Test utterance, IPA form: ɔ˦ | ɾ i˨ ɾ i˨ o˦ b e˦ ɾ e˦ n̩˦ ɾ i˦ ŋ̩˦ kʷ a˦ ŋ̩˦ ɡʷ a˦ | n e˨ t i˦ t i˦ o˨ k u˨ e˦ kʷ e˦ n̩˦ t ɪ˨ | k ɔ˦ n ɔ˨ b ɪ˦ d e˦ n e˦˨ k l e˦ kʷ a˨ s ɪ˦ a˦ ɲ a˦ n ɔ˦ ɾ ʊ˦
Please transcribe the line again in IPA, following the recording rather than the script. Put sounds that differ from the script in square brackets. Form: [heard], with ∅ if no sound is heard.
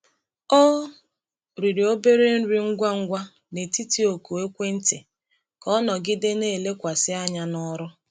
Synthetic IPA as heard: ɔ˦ | ɾ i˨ ɾ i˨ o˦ b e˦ ɾ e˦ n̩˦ ɾ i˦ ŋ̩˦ [ɡʷ] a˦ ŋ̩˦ ɡʷ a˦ | n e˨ t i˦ t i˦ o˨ k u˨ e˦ kʷ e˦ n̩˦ t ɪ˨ | k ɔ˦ n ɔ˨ [ɡ] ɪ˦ d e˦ n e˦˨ [∅] l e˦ kʷ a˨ s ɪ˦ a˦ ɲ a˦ n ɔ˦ ɾ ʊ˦